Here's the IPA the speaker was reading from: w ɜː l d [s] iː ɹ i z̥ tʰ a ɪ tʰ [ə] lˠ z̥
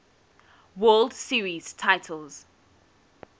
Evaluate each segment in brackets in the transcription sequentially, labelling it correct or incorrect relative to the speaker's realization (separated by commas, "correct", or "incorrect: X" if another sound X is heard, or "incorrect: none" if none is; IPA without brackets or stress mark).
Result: correct, correct